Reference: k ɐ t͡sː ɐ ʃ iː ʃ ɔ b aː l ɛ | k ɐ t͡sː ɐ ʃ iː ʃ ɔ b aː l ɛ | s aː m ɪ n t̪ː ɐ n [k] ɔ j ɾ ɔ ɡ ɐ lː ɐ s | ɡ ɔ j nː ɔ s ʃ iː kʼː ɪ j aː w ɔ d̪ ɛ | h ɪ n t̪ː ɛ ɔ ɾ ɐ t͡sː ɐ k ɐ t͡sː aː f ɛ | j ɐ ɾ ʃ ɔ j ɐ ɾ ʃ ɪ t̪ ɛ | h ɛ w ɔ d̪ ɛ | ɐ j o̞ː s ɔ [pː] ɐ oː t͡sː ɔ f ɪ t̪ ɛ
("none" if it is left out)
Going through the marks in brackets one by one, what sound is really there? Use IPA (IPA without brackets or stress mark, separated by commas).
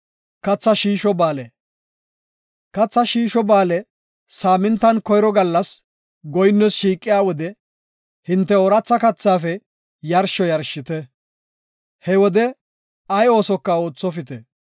k, kː